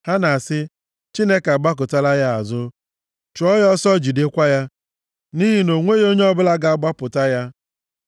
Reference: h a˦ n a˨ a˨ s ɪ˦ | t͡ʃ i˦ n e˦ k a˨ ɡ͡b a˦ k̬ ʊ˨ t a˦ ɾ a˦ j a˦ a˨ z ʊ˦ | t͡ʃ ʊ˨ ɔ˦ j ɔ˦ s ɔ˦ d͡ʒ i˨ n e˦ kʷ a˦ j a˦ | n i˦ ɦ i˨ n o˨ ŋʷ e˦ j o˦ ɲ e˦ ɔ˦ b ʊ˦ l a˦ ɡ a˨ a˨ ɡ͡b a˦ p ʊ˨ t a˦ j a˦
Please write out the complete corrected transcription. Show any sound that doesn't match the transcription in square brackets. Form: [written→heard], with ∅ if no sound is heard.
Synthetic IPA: h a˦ n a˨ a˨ s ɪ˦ | t͡ʃ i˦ n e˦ k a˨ ɡ͡b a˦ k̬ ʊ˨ t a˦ [ɾ→l] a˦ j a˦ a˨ z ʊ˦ | t͡ʃ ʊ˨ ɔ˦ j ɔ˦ s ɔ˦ d͡ʒ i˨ [n→d] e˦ kʷ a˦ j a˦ | n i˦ ɦ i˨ n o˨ ŋʷ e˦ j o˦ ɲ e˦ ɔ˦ b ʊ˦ l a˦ ɡ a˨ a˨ ɡ͡b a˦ p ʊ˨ t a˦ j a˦